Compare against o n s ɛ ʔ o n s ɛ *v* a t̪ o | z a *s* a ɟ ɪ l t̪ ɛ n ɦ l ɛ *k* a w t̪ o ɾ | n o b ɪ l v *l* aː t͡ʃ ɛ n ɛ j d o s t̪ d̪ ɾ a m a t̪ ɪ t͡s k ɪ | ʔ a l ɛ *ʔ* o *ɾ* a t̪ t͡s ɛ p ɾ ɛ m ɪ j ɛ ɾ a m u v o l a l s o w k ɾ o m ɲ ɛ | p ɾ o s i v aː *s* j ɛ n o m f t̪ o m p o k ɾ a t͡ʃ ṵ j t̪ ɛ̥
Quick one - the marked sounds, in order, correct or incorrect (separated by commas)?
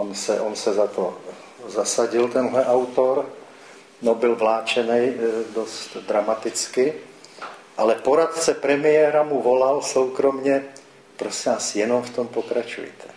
incorrect, correct, incorrect, correct, incorrect, correct, correct